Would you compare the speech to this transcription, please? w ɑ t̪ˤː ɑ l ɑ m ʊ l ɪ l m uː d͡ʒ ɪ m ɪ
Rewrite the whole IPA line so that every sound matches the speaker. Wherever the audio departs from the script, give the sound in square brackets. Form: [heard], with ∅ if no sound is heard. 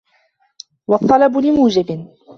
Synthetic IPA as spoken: w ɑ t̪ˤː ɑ l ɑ [b] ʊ l ɪ [∅] m uː d͡ʒ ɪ [b] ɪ